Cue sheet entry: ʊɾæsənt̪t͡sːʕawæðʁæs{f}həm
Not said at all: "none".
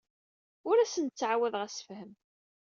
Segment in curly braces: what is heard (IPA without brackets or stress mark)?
f